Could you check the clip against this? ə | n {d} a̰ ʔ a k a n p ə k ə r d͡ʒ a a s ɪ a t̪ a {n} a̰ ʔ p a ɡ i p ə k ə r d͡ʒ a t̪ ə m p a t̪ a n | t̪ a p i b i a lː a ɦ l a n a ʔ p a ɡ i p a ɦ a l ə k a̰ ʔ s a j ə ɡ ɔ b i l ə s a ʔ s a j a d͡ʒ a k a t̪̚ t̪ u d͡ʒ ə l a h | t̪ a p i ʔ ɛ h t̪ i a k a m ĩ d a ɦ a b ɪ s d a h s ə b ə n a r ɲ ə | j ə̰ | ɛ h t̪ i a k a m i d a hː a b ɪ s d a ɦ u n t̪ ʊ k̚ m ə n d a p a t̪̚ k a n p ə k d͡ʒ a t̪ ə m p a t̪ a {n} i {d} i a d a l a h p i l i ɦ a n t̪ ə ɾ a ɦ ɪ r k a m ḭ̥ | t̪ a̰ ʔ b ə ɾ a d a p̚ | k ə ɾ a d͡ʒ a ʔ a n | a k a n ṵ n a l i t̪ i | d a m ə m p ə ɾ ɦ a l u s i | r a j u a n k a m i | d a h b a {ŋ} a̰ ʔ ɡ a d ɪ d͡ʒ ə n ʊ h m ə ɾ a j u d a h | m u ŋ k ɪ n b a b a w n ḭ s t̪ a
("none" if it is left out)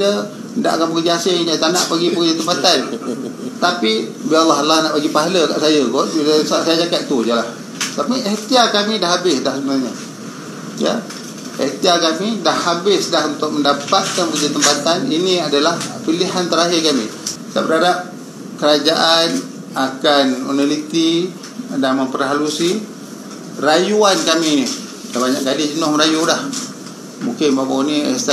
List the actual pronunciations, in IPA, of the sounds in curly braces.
d, n, n, n, ɲ

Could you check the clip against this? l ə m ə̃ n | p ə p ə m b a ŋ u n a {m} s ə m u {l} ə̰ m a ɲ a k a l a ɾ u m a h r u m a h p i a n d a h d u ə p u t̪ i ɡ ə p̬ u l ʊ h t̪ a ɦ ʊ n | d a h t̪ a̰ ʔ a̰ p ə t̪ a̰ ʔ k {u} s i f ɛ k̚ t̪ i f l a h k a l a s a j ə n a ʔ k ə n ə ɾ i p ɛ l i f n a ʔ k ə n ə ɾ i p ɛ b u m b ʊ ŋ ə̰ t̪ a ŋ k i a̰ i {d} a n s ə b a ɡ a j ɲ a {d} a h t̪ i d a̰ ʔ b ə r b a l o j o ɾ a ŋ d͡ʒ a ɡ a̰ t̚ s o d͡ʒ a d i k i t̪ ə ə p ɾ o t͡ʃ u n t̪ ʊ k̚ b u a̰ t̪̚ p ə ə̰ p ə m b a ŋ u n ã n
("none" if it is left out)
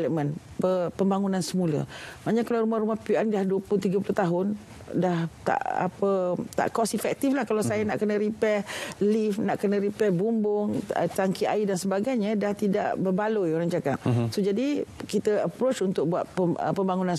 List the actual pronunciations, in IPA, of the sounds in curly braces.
n, l, ɔ, d, d

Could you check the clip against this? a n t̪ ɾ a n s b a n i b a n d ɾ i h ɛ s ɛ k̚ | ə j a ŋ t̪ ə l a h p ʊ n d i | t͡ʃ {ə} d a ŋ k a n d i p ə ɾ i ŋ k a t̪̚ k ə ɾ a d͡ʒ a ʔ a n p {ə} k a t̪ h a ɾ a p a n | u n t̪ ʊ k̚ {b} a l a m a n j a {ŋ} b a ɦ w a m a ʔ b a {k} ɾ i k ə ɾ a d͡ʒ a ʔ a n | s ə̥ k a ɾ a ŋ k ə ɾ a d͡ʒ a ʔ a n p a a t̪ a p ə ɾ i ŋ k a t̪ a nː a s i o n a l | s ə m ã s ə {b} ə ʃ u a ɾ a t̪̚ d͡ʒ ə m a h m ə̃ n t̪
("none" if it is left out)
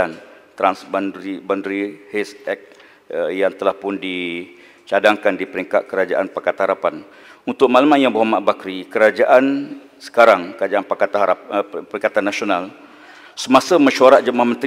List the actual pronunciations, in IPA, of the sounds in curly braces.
a, a, m, ŋ, k, m

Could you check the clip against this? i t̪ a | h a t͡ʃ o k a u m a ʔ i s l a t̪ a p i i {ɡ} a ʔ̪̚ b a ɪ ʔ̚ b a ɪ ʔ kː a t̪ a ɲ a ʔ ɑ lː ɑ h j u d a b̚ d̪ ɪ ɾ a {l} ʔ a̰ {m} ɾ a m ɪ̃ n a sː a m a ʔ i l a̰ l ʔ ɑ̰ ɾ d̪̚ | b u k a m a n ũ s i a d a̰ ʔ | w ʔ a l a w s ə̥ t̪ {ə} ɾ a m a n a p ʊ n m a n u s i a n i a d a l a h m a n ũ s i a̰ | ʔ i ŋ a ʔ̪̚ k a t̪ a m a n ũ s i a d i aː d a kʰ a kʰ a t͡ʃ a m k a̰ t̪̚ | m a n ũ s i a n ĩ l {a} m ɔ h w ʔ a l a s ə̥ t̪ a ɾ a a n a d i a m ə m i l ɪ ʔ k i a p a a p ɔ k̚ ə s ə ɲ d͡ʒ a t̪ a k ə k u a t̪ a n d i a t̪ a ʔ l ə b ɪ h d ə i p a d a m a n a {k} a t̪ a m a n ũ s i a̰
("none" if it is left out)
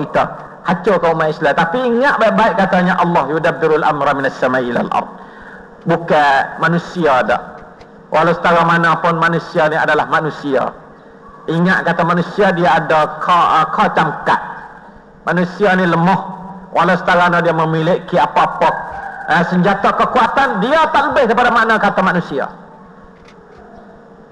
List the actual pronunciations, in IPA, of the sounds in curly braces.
ŋ, l, m, a, ə, k

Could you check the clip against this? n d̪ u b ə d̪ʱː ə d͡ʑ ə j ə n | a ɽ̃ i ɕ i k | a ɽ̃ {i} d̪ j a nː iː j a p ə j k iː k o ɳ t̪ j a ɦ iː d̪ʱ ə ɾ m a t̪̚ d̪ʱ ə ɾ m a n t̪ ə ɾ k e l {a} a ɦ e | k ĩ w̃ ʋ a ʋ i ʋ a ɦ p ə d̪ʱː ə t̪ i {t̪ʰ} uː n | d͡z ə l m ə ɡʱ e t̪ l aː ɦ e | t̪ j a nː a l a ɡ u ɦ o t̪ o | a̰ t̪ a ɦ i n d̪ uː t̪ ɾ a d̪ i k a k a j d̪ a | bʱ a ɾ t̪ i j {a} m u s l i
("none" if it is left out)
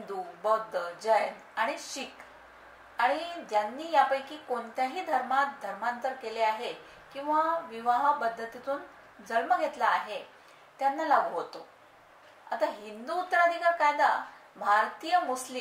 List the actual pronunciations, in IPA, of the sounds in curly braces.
i, e, t̪, ə

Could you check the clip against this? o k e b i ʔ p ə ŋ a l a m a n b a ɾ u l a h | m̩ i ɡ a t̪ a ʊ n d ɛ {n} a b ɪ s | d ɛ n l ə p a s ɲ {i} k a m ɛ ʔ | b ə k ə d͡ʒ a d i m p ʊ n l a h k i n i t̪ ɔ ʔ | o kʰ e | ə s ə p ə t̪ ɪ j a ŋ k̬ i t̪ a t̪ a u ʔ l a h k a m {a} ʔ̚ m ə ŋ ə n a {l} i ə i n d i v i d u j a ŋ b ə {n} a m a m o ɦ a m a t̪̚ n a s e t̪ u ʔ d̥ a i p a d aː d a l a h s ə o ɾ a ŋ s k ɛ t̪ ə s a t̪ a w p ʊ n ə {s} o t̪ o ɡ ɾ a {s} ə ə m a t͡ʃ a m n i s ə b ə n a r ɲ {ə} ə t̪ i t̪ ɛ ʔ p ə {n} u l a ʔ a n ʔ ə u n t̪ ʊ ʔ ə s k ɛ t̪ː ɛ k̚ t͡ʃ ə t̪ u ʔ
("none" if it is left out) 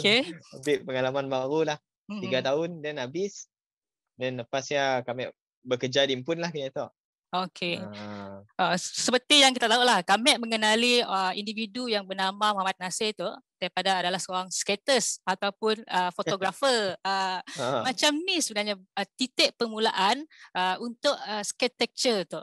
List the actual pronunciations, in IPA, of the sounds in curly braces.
n, a, ɛ, l, n, f, f, a, m

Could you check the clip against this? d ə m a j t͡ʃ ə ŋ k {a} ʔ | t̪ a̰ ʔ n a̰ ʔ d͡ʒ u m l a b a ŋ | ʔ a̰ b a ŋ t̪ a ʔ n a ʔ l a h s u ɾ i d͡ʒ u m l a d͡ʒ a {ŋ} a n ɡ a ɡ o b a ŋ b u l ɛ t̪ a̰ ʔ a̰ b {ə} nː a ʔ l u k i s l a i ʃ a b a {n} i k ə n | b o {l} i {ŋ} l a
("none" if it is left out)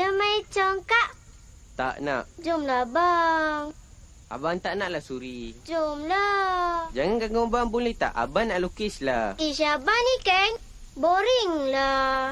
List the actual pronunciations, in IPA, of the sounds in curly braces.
a, ŋ, a, n, ɾ, ŋ

